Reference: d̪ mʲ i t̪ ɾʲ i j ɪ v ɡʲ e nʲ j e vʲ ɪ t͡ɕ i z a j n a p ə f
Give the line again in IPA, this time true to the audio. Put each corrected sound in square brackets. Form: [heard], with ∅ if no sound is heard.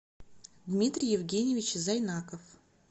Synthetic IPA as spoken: d̪ mʲ i t̪ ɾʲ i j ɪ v ɡʲ e nʲ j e vʲ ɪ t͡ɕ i z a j n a [k] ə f